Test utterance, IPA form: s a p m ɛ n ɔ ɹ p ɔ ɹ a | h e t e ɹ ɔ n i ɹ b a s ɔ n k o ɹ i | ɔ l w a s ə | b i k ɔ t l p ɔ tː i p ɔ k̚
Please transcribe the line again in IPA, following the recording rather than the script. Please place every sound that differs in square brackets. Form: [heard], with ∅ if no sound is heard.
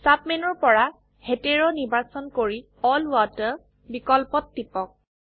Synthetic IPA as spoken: s a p m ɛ n ɔ ɹ p ɔ ɹ a | h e t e ɹ ɔ n i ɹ b a s ɔ n k o ɹ i | ɔ l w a [t] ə | b i k ɔ [∅] l p ɔ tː i p ɔ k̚